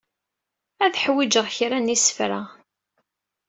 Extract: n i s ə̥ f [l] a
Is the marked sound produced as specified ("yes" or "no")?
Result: no